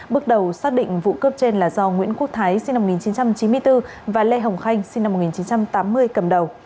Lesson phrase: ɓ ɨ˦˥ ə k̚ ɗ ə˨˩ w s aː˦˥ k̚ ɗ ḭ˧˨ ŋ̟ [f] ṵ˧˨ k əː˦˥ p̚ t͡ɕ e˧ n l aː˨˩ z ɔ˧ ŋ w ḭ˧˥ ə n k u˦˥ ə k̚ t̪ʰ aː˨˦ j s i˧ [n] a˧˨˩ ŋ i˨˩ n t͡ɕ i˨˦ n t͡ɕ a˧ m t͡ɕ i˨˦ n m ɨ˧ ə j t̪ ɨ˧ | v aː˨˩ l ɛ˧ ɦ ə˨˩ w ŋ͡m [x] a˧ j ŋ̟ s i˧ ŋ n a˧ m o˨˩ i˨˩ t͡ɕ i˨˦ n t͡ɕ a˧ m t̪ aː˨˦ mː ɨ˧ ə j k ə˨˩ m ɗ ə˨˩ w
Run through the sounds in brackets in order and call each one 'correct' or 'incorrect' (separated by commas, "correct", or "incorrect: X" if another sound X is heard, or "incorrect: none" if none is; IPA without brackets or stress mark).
incorrect: v, correct, correct